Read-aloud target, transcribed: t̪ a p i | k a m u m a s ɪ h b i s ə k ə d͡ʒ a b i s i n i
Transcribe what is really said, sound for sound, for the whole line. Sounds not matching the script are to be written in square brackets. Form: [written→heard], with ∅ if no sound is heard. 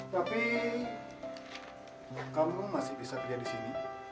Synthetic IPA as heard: t̪ a p i | k a m u m a s ɪ h b i s [ə→a] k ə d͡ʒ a [b→d] i s i n i

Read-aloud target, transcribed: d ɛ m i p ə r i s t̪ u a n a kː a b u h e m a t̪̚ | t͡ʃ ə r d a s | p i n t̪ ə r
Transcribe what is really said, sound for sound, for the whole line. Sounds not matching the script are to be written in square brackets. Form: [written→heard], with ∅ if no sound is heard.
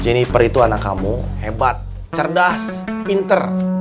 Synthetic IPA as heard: [d→d͡ʒ] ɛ [m→n] i p ə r i [s→∅] t̪ u a n a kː a [b→m] u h e [m→b] a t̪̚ | t͡ʃ ə r d a s | p i n t̪ ə r

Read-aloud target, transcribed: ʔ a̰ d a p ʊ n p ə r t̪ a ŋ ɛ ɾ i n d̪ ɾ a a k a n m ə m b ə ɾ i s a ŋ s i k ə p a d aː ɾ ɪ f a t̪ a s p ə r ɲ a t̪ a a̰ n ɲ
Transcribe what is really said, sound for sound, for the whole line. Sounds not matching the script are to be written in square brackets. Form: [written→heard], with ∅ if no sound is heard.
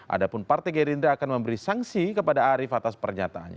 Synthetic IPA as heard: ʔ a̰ d a p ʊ n p [ə→a] r t̪ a [ŋ→ɡ] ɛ ɾ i n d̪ ɾ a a k a n m ə m b ə ɾ i s a ŋ s i k ə p a d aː ɾ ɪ f a t̪ a s p ə r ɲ a t̪ a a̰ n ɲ

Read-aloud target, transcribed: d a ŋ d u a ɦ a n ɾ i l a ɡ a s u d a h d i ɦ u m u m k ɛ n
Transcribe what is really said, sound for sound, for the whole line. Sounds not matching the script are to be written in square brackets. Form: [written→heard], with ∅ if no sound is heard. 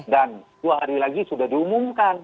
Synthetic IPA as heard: d a [ŋ→n] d u a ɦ a [n→∅] ɾ i l a ɡ [a→i] s u d a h d i [ɦ→∅] u m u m k [ɛ→a] n

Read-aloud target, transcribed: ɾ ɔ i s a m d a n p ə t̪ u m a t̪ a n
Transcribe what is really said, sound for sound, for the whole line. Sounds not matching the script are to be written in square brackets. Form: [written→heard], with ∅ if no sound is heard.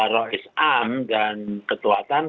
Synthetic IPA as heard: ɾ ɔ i s a m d a n [p→k] ə t̪ u [m→∅] a t̪ a n

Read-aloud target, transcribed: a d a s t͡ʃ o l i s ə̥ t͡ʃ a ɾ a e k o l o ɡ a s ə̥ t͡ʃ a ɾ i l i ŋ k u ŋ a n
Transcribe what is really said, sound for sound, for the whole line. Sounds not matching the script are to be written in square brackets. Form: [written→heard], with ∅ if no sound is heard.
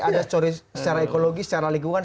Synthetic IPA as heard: a d a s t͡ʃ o [l→ɾ] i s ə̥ t͡ʃ a ɾ a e k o l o ɡ [a→i] s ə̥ t͡ʃ a ɾ [i→a] l i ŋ [k→ɡ] u ŋ a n

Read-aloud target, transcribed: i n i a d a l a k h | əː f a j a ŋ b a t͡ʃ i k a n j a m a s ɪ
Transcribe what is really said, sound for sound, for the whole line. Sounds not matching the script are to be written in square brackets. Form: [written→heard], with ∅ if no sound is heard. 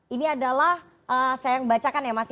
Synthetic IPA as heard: i n i a d a l a [k→∅] h | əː [f→s] a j a ŋ b a t͡ʃ [i→a] k a n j a m a s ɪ

